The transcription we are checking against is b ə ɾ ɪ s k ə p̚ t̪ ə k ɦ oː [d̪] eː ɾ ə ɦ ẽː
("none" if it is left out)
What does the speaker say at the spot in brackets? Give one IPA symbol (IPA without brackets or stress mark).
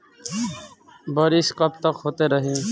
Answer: t̪